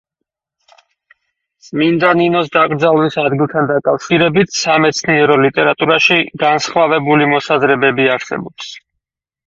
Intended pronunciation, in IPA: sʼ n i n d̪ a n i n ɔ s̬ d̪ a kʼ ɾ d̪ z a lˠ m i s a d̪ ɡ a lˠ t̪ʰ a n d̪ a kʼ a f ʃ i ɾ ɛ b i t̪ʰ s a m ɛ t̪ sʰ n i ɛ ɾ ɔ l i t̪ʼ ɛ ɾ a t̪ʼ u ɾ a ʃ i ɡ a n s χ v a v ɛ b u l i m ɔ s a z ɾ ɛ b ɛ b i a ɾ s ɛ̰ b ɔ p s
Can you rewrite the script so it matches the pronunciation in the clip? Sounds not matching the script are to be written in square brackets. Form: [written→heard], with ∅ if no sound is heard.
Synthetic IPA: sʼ [n→m] i n d̪ a n i n ɔ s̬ d̪ a kʼ ɾ d̪ z a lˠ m i s a d̪ ɡ [a→i] lˠ t̪ʰ a n d̪ a kʼ a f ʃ i ɾ ɛ b i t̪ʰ s a m ɛ t̪ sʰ n i ɛ ɾ ɔ l i t̪ʼ ɛ ɾ a t̪ʼ u ɾ a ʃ i ɡ a n s χ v a v ɛ b u l i m ɔ s a z ɾ ɛ b ɛ b i a ɾ s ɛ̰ b ɔ p s